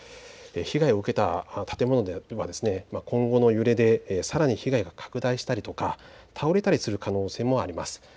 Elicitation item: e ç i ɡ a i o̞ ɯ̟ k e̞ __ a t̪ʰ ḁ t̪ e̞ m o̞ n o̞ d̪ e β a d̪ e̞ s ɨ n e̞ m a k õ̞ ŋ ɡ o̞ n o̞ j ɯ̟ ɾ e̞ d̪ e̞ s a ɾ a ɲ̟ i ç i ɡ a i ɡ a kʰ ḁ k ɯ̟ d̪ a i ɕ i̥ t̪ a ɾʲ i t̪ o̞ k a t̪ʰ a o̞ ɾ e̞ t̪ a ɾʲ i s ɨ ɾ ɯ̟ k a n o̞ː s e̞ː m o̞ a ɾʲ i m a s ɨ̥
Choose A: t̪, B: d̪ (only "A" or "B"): A